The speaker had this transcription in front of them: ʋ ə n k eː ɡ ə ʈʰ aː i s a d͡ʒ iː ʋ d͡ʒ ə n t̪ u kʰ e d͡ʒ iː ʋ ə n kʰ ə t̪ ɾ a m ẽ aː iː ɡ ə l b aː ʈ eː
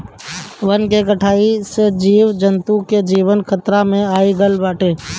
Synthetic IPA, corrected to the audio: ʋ ə n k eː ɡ ə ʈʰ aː i s e d͡ʒ iː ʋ d͡ʒ ə n t̪ u k e d͡ʒ iː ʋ ə n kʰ ə t̪ ɾ a m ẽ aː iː ɡ ə l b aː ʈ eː